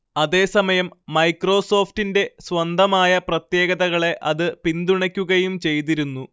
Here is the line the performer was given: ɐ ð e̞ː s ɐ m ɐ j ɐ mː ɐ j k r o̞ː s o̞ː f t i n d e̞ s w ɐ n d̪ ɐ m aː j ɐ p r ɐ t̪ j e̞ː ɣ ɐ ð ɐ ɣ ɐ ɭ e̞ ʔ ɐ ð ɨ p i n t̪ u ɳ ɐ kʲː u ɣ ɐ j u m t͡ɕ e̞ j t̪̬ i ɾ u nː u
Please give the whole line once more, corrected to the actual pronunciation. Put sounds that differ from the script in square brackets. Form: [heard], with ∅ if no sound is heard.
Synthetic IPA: ɐ ð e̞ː s ɐ m ɐ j ɐ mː ɐ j k r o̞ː s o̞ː f t i n d e̞ s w ɐ n d̪ ɐ m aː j ɐ p r ɐ t̪ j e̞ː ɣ ɐ ð ɐ ɣ ɐ ɭ e̞ ʔ ɐ ð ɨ p i n [d̪] u ɳ ɐ kʲː u ɣ ɐ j u m t͡ɕ e̞ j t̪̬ i ɾ u nː u